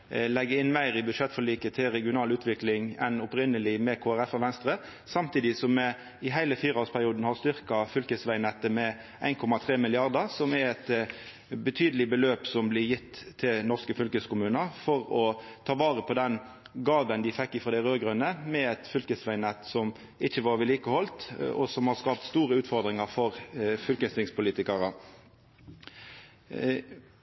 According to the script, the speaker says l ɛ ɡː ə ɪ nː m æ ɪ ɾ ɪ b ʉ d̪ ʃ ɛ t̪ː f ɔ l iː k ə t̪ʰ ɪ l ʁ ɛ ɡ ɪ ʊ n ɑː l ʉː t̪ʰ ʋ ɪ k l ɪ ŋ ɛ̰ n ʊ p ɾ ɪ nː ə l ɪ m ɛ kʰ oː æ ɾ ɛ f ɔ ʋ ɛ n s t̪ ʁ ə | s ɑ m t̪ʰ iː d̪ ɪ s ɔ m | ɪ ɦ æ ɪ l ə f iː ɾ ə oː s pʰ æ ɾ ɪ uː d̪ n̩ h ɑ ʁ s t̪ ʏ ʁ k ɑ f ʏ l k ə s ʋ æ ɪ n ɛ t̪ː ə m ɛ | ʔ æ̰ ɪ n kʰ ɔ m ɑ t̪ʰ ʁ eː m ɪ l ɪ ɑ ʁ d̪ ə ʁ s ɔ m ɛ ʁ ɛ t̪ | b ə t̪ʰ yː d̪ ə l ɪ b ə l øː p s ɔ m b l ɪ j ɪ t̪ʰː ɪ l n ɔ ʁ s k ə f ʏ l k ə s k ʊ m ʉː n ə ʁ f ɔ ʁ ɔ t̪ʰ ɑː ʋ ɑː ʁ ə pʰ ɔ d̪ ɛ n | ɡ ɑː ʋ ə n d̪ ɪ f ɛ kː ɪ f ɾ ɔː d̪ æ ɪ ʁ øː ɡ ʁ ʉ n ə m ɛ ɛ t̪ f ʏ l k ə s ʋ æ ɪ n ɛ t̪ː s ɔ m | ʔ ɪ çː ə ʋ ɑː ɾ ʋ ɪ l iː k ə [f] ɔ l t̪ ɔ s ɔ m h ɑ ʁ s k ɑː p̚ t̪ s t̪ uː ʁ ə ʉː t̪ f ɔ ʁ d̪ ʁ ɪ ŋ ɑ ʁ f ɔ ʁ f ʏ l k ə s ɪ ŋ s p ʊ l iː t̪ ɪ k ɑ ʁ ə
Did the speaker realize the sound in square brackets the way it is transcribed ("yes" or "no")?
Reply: no